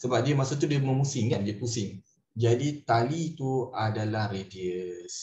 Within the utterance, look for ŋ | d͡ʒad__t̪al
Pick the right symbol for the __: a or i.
i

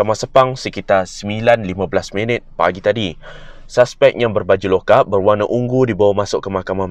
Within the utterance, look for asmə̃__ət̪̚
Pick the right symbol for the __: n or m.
n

